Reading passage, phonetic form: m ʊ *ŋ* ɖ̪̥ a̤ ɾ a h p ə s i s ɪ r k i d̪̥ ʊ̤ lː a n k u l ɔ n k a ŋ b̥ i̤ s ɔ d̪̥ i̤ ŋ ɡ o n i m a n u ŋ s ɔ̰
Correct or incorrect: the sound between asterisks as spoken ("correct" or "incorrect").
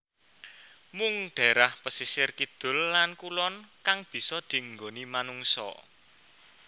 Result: correct